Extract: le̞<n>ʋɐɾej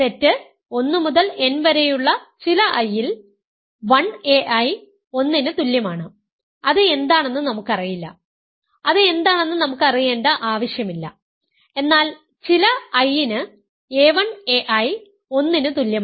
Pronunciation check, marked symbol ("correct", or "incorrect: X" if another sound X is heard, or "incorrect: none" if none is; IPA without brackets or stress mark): correct